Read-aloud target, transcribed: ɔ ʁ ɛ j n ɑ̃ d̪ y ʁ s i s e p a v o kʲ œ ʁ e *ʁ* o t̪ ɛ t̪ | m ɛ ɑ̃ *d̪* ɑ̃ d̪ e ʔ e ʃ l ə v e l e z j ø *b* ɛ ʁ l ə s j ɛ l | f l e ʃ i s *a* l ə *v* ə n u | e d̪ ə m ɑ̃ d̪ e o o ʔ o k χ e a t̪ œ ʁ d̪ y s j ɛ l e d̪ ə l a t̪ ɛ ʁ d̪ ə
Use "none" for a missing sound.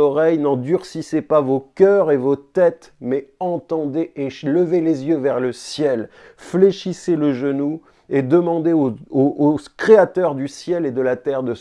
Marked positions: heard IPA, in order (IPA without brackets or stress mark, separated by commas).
v, t̪, v, e, ʒ